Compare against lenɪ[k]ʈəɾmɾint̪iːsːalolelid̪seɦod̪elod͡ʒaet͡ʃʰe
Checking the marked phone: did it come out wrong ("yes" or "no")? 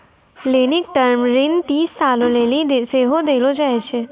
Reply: no